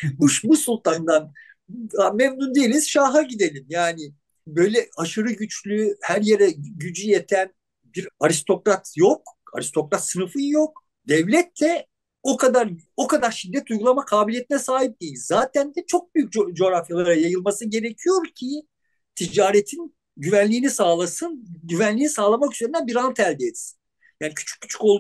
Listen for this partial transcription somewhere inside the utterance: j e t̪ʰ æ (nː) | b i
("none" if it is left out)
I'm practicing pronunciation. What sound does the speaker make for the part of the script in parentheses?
n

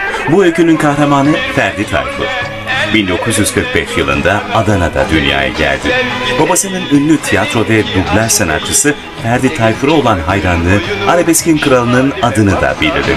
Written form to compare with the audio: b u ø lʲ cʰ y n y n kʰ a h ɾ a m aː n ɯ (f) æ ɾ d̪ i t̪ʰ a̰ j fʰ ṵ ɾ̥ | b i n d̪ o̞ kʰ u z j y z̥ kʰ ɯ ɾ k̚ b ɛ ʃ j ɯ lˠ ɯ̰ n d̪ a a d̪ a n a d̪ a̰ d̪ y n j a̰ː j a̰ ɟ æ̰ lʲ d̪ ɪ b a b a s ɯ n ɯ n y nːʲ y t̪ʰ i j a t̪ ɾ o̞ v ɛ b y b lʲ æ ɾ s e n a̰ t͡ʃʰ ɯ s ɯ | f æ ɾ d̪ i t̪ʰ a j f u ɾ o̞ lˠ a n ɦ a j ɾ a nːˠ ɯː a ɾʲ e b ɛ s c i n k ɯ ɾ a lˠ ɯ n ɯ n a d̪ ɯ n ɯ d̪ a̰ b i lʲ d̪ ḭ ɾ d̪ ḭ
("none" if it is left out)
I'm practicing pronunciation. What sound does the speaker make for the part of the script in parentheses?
f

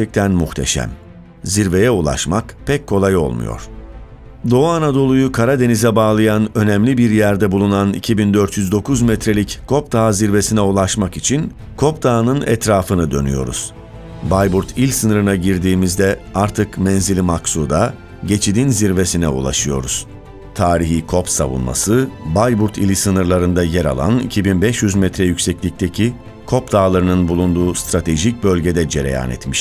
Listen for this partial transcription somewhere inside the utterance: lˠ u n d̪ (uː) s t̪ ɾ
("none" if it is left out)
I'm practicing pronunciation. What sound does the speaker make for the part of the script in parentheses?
uː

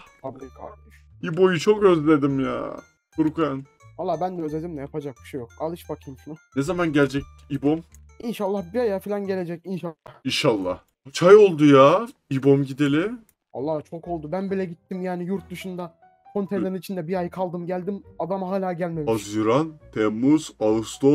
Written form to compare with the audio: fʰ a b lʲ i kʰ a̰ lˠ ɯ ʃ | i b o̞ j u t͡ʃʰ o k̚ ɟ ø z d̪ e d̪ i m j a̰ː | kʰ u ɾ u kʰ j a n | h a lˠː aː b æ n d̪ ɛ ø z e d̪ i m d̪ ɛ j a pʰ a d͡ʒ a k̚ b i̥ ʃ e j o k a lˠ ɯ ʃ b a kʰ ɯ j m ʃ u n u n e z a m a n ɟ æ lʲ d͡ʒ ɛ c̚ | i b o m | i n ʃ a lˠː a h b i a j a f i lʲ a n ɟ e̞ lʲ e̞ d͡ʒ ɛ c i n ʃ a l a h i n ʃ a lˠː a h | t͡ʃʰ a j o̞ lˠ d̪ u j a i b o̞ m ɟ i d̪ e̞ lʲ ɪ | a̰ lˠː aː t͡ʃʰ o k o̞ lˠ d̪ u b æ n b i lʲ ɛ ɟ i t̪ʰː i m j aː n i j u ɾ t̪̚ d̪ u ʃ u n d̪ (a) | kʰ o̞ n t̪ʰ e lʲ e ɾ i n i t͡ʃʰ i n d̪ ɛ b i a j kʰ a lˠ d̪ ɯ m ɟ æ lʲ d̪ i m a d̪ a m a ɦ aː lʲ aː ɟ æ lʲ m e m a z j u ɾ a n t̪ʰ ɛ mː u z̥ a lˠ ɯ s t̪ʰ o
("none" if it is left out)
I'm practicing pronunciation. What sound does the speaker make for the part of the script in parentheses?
a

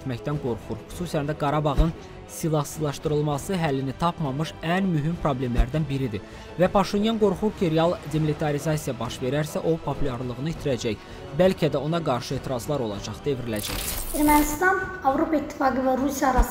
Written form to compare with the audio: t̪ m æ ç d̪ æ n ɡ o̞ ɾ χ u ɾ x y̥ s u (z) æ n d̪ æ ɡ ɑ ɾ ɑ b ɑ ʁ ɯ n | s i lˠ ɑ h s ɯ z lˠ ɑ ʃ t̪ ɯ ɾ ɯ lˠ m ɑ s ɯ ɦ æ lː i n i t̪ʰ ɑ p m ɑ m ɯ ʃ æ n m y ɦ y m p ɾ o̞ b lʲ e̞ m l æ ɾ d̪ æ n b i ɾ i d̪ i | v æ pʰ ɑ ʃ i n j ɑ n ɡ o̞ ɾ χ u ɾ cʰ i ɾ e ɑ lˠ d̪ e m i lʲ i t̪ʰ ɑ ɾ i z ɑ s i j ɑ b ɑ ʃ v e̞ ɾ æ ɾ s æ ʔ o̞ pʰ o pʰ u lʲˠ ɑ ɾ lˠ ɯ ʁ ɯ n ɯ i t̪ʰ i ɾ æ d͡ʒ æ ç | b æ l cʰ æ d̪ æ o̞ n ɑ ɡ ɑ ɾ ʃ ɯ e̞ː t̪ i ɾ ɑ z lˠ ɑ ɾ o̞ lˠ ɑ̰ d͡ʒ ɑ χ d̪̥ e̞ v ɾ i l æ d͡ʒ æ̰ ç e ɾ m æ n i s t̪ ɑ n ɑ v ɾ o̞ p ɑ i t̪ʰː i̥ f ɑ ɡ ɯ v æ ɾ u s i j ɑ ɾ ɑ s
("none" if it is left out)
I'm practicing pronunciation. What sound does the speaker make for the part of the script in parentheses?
s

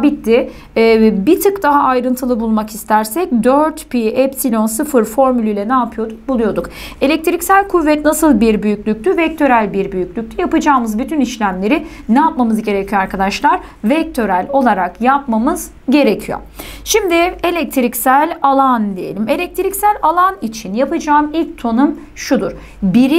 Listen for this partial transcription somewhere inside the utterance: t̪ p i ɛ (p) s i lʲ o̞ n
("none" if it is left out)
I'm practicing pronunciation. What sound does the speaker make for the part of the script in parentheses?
p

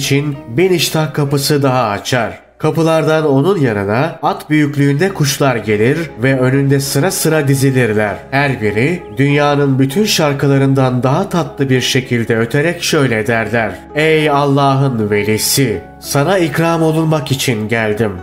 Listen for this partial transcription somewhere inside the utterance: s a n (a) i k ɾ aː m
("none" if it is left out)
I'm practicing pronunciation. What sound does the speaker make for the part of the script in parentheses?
a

